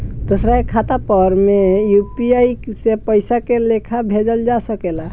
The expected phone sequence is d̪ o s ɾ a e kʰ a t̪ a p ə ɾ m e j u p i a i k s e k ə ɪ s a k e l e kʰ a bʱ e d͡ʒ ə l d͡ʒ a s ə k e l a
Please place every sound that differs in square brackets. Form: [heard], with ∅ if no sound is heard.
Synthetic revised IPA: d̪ o s ɾ a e kʰ a t̪ a p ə ɾ m e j u p i a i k s e [p] ə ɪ s a k e l e kʰ a bʱ e d͡ʒ ə l d͡ʒ a s ə k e l a